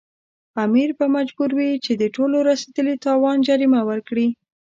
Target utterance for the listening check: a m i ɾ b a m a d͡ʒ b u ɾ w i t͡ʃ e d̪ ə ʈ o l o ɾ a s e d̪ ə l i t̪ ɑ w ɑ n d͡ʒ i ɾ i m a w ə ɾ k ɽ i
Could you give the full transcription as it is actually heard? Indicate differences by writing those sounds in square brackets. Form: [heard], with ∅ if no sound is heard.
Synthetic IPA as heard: a m i ɾ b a m a d͡ʒ b u ɾ w i t͡ʃ e d̪ ə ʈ o l o ɾ a s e d̪ ə l i t̪ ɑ w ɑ n d͡ʒ [a] ɾ i m a w ə ɾ k ɽ i